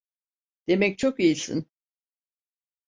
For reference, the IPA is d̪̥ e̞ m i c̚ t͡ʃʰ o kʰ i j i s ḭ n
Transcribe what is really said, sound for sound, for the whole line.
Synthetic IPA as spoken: d̪̥ e̞ m ɛ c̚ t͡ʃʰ o k i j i s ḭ n